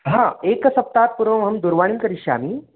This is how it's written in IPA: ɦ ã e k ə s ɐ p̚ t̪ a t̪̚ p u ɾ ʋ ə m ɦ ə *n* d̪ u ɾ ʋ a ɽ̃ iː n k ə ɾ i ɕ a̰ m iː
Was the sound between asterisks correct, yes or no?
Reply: no